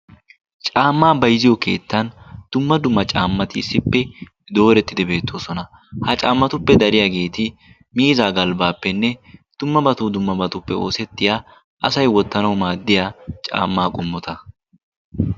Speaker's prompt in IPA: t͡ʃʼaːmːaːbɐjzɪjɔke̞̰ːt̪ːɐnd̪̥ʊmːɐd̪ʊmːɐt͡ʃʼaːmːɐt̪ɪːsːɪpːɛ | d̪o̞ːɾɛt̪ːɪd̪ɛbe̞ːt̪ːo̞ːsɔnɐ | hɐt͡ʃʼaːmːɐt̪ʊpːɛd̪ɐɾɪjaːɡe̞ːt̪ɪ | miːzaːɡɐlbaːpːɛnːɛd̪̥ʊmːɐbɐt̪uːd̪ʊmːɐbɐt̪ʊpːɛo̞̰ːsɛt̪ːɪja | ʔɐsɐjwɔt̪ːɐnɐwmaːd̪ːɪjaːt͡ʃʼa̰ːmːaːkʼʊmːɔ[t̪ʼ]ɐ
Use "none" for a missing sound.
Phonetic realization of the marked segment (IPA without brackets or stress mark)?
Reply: t̪